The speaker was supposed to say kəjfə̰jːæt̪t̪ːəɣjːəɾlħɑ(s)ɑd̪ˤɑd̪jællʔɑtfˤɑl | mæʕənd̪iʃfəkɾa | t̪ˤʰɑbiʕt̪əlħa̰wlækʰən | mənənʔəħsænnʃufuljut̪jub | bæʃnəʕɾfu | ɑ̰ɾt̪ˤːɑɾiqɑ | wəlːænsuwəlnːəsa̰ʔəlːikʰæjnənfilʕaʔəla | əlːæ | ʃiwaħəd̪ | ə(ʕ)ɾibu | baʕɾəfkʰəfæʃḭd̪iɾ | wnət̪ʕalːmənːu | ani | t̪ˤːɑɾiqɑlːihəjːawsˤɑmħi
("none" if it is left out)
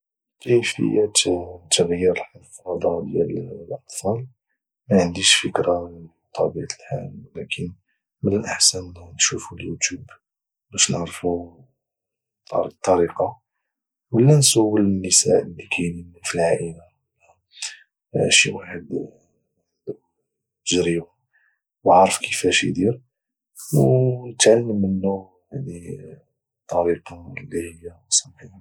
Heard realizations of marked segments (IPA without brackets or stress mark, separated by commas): f, ʒ